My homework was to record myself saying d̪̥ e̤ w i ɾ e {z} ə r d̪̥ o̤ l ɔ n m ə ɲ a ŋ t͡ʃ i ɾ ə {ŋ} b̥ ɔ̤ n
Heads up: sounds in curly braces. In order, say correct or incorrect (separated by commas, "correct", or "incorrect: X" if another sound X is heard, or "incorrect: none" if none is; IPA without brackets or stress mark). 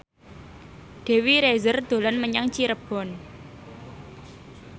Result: correct, incorrect: none